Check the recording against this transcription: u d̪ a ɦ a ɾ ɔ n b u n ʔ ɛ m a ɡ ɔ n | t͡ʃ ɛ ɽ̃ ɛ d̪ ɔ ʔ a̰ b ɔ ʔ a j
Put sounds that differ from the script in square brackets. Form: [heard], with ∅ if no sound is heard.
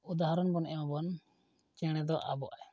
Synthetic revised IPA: u d̪ a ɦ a ɾ ɔ n b [ɔ] n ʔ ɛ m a [b] ɔ n | t͡ʃ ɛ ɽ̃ ɛ d̪ ɔ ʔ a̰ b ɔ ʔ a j